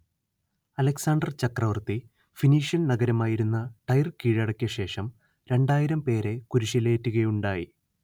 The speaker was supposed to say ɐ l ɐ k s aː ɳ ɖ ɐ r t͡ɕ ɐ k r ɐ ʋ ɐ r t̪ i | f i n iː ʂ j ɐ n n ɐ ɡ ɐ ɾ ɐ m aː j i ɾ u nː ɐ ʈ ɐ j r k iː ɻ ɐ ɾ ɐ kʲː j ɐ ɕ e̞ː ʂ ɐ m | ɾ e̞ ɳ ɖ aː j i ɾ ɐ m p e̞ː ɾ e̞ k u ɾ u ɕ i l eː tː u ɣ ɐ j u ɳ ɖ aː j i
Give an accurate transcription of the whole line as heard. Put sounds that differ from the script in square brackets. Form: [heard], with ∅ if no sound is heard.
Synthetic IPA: ɐ l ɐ k s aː ɳ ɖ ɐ r t͡ɕ ɐ k r ɐ ʋ ɐ r t̪ i | f i n iː ʂ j ɐ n n ɐ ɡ ɐ ɾ ɐ m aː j i ɾ u nː ɐ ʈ ɐ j r k iː ɻ ɐ [ɽ] ɐ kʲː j ɐ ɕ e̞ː ʂ ɐ m | ɾ e̞ ɳ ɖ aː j i ɾ ɐ m p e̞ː ɾ e̞ k u ɾ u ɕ i l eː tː u ɣ ɐ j u ɳ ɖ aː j i